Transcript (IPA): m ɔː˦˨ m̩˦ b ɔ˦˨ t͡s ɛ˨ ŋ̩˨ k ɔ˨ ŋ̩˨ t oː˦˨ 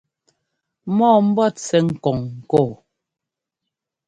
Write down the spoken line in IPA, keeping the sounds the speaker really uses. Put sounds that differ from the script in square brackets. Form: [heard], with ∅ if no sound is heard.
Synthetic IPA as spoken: m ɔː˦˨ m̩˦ b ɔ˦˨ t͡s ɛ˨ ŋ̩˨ k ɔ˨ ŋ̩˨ [k] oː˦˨